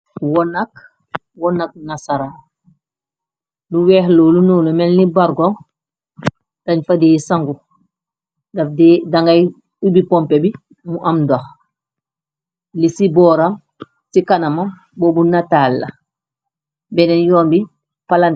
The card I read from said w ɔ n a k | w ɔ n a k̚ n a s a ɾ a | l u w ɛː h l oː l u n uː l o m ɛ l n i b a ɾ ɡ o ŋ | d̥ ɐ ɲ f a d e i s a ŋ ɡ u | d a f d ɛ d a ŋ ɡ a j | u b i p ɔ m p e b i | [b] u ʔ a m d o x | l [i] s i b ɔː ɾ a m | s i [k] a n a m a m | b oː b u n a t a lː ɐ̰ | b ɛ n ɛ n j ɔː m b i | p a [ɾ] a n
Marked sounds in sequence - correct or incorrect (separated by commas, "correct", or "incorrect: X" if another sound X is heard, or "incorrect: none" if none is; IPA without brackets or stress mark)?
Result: incorrect: m, correct, correct, incorrect: l